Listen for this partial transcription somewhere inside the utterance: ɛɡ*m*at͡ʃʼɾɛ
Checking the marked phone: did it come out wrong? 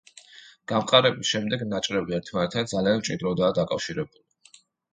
yes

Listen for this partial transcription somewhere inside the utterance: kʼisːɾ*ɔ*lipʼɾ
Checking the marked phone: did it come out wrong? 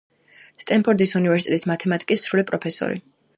yes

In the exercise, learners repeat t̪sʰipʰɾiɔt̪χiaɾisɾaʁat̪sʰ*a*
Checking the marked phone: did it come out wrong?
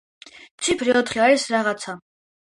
no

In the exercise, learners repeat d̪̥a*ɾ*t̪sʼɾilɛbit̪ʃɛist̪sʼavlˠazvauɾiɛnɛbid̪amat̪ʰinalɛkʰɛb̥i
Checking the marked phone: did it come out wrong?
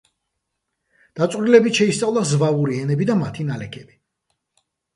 yes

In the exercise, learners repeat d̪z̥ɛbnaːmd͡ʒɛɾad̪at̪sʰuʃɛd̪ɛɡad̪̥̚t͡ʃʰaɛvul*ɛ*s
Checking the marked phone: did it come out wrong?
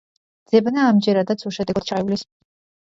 yes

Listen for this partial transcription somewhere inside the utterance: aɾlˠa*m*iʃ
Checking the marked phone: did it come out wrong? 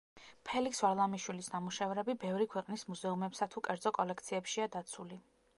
no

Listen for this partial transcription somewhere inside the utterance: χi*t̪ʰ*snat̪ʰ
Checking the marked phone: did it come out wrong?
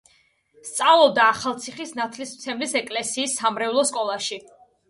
yes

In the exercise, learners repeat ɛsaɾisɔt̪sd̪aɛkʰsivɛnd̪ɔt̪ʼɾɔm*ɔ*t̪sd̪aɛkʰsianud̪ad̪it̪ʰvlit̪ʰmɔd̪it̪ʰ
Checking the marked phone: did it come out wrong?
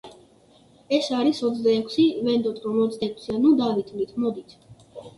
no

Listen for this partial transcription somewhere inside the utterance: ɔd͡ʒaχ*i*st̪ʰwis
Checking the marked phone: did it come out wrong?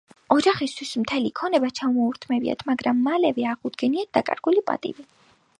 no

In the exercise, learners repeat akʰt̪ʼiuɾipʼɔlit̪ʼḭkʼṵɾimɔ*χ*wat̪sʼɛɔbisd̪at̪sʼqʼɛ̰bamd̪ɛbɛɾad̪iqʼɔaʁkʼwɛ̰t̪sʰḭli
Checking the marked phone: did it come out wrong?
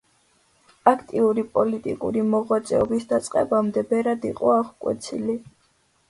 yes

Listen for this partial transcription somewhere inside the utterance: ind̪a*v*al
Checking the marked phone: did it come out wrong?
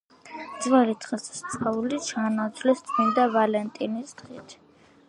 no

